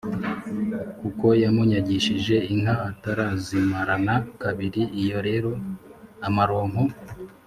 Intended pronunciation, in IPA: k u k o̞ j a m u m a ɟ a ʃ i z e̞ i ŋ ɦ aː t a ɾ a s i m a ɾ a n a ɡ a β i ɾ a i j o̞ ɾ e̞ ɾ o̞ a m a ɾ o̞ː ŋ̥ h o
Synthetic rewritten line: k u k o̞ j a m u ɲ a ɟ i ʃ i ʒ e̞ i ŋ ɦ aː t a ɾ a z i m a ɾ a n a k a β i ɾ i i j o̞ ɾ e̞ ɾ o̞ a m a ɾ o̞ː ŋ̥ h o